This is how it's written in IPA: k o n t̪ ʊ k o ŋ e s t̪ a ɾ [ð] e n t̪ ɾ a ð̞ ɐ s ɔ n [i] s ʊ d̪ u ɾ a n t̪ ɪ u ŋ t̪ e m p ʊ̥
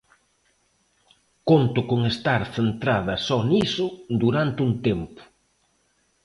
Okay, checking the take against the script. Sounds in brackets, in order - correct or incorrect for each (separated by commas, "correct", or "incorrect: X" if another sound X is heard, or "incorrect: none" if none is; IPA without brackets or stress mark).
incorrect: θ, correct